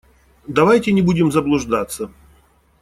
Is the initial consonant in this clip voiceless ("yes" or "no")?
no